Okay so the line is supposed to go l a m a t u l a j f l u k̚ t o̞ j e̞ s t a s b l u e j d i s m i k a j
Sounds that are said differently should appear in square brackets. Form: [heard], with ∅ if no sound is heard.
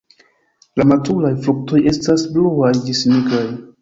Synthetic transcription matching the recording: l a m a t u l a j f l u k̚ t o̞ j e̞ s t a s b l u [a] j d i s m i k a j